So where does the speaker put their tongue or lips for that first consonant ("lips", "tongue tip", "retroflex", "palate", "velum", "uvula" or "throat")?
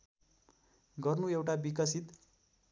velum